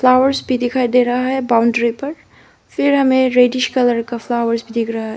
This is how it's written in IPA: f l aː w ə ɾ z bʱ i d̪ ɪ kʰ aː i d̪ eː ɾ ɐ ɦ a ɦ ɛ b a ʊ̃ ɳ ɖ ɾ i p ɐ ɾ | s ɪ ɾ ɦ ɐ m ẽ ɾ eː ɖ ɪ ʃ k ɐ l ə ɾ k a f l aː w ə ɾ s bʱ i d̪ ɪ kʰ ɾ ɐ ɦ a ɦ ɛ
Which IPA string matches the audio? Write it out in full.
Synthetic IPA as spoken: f l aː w ə ɾ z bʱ i d̪ ɪ kʰ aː i d̪ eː ɾ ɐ ɦ a ɦ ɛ b a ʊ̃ ɳ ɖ ɾ i p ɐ ɾ | f ɪ ɾ ɦ ɐ m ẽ ɾ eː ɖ ɪ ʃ k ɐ l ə ɾ k a f l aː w ə ɾ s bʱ i d̪ ɪ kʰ ɾ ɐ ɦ a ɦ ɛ